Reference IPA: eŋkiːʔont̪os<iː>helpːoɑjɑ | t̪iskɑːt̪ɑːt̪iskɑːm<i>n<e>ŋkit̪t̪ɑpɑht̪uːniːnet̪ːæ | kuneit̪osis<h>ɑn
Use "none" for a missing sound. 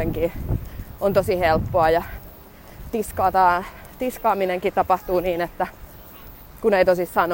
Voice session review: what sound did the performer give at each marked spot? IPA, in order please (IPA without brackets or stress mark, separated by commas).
i, i, e, s